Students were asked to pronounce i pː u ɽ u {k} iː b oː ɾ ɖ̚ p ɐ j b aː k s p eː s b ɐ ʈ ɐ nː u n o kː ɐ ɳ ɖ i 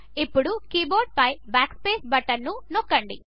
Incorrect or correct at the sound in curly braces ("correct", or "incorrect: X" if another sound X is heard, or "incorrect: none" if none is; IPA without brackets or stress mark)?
correct